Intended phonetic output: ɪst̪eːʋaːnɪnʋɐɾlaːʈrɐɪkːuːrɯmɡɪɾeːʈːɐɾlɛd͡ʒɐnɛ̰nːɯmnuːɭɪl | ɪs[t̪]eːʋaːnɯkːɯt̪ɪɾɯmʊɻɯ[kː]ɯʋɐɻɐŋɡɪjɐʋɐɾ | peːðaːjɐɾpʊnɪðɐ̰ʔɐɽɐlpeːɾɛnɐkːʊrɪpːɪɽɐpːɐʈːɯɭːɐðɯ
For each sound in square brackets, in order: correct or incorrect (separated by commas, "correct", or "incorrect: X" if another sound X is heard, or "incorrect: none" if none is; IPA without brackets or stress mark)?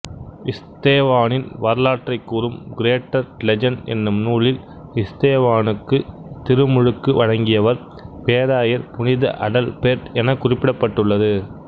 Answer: correct, correct